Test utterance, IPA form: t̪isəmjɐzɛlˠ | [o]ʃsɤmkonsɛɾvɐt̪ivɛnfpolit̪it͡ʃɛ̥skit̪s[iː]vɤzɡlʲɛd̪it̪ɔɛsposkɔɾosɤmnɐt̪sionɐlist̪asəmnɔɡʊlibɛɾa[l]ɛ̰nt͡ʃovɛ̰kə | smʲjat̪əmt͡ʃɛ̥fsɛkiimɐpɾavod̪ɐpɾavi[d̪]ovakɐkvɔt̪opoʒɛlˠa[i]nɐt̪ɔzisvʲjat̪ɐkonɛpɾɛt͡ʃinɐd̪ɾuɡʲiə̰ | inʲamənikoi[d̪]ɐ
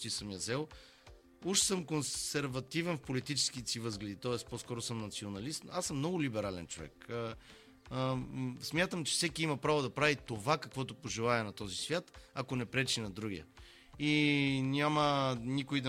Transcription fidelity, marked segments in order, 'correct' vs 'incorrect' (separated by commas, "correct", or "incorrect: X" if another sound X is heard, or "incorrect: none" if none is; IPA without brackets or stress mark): incorrect: u, incorrect: i, correct, incorrect: t̪, incorrect: ɛ, correct